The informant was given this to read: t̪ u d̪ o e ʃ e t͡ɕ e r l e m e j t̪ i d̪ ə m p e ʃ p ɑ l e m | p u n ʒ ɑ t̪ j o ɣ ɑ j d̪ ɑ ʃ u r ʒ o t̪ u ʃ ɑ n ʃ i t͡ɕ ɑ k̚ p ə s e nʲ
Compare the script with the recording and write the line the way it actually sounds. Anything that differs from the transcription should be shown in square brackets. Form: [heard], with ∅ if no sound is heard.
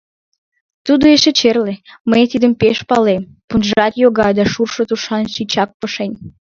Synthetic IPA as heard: t̪ u d̪ o e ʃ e t͡ɕ e r l e m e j t̪ i d̪ ə m p e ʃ p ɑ l e m | p u n ʒ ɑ t̪ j o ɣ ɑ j d̪ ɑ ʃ u r [ʃ] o t̪ u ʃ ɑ n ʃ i t͡ɕ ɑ k̚ p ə [ʃ] e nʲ